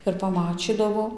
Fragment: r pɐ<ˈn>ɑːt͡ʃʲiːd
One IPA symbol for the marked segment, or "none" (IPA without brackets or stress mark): m